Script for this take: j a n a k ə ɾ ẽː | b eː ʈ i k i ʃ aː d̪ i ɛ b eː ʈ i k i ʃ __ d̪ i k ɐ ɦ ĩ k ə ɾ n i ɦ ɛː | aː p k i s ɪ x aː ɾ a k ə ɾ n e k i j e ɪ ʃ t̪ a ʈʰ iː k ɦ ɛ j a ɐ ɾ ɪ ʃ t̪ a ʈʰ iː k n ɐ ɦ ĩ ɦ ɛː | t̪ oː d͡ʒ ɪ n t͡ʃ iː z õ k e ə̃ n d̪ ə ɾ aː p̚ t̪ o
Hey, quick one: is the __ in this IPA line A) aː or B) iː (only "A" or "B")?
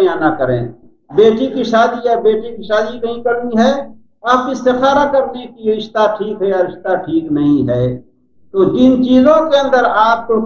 A